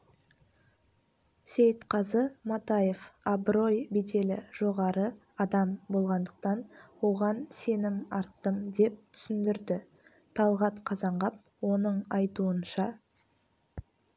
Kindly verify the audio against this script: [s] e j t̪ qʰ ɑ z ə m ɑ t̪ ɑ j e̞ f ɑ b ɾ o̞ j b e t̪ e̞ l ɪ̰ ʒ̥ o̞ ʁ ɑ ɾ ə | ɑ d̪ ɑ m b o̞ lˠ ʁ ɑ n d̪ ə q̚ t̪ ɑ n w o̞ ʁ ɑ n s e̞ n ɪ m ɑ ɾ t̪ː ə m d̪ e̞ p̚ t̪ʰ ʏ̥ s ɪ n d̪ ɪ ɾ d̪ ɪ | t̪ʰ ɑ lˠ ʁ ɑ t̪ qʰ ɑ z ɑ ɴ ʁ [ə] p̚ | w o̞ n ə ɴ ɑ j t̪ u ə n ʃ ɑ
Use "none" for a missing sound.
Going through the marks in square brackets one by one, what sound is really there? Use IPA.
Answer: s, ɑ

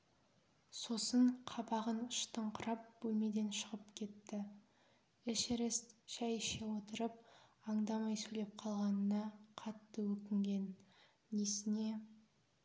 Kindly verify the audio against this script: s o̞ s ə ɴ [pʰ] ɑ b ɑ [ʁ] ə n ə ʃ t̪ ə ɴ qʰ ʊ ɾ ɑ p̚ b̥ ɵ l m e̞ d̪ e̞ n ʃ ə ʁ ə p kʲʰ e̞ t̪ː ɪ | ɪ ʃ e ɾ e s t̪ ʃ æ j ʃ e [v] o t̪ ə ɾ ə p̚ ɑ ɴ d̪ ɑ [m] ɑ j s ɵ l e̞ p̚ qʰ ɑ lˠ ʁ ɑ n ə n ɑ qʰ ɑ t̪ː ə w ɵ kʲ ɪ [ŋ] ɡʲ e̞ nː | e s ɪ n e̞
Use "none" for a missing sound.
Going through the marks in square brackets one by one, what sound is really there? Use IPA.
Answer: qʰ, ʁ, w, m, ŋ

